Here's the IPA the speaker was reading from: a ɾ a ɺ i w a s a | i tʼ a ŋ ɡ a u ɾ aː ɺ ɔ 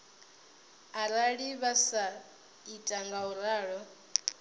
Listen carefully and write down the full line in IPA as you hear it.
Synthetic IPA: a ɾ a ɺ i β a s a | i tʼ a ŋ ɡ a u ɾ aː ɺ ɔ